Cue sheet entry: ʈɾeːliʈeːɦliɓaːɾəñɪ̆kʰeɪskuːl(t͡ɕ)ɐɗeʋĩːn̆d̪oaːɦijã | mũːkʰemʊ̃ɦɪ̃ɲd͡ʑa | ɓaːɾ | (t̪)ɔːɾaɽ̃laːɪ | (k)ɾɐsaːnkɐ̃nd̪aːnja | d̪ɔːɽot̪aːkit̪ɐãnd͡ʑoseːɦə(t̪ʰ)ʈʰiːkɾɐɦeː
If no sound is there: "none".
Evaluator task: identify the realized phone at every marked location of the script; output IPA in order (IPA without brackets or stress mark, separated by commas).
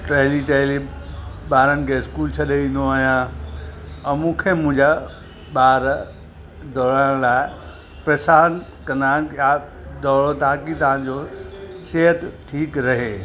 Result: t͡ɕʰ, d̪, p, t̪